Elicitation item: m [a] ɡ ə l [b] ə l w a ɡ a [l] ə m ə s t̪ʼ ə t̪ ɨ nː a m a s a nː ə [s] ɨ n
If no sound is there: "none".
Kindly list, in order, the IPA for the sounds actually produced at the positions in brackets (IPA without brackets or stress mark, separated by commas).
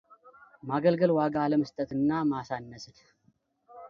a, ɡ, l, s